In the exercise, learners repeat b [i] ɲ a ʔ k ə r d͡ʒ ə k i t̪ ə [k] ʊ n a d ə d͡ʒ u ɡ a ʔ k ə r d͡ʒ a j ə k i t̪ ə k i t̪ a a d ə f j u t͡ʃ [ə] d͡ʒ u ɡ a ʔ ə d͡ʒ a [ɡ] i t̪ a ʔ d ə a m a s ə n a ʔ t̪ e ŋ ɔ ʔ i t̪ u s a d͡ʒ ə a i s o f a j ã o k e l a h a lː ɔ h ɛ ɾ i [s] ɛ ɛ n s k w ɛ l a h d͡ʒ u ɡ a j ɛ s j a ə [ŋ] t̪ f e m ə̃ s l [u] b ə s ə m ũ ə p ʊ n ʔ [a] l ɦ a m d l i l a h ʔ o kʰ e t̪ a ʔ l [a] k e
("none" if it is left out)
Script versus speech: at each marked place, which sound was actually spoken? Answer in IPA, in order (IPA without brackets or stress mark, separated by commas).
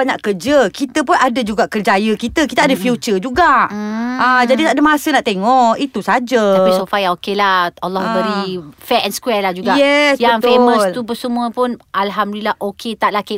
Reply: a, p, ə, d, f, ŋ, u, a, a